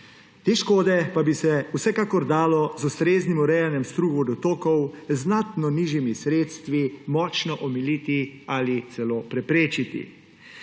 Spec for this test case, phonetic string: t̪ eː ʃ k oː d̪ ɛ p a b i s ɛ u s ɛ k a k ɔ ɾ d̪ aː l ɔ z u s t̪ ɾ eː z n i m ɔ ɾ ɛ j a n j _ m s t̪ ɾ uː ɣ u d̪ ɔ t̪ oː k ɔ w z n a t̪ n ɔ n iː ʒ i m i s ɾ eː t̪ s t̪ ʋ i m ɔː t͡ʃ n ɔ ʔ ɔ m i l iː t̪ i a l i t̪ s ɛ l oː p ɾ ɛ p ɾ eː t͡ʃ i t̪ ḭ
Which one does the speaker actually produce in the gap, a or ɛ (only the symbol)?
ɛ